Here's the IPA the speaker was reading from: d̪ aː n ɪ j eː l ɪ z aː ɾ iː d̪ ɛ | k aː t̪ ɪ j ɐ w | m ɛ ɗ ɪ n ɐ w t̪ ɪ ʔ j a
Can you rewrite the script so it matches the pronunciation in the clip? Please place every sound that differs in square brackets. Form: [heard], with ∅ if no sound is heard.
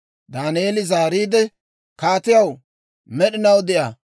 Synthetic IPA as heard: d̪ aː n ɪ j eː l ɪ z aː ɾ iː d̪ ɛ | k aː t̪ ɪ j ɐ w | m ɛ ɗ ɪ n ɐ w [d̪] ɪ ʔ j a